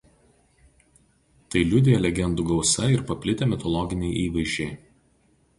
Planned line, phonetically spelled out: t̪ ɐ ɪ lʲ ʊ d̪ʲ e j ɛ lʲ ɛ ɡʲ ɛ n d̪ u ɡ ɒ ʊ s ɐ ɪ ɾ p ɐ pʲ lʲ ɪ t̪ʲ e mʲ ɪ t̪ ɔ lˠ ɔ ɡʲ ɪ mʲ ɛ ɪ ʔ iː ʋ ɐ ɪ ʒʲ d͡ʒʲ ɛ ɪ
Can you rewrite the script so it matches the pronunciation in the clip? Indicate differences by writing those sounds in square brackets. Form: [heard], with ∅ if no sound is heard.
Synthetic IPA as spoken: t̪ ɐ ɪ lʲ ʊ d̪ʲ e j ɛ lʲ ɛ ɡʲ ɛ n d̪ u ɡ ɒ ʊ s ɐ ɪ ɾ p ɐ pʲ lʲ ɪ t̪ʲ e mʲ ɪ t̪ ɔ lˠ ɔ ɡʲ ɪ [nʲ] ɛ ɪ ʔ iː ʋ ɐ ɪ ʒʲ d͡ʒʲ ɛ ɪ